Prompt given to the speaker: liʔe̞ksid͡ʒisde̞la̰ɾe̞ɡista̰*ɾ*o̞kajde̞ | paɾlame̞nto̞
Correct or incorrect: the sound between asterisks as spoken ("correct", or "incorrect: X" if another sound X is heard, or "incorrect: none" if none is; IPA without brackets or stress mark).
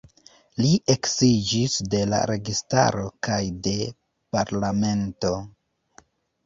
correct